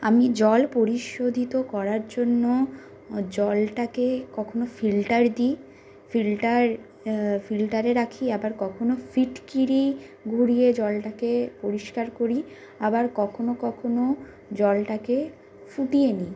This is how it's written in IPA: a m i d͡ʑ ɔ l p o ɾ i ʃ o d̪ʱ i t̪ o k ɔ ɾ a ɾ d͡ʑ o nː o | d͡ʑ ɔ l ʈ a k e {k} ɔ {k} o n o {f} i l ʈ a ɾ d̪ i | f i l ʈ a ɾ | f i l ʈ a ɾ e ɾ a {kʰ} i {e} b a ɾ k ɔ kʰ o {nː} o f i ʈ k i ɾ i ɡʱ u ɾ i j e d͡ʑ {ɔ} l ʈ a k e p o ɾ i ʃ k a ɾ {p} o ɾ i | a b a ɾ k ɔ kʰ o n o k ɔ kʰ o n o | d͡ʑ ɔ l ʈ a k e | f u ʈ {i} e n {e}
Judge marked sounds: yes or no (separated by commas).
yes, no, yes, yes, no, no, yes, no, yes, no